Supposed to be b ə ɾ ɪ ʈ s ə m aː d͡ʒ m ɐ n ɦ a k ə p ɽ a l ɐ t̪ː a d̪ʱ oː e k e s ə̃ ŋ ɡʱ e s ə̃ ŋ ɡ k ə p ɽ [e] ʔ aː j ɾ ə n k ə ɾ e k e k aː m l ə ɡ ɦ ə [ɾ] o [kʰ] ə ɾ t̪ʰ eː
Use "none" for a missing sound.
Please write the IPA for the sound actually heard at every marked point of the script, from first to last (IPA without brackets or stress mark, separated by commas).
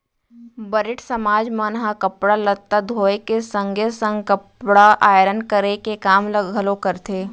a, l, k